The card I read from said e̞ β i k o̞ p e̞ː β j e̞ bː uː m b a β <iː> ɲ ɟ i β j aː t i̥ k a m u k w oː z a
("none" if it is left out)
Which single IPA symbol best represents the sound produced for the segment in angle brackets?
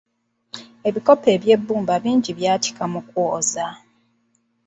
iː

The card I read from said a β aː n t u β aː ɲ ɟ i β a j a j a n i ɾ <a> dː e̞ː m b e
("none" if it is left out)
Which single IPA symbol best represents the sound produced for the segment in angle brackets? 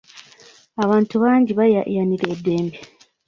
e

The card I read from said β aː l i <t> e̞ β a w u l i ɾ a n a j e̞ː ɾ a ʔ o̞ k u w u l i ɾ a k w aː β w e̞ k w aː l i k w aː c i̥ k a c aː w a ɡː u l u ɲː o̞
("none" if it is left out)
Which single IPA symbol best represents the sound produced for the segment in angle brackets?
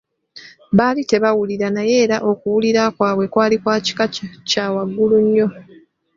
t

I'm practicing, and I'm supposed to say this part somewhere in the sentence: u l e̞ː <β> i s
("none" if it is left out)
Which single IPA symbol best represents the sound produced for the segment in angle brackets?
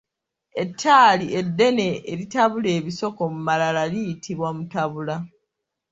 β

